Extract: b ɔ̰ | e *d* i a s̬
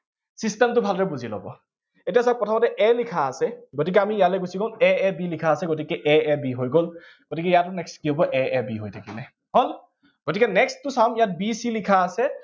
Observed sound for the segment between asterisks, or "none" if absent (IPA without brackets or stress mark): t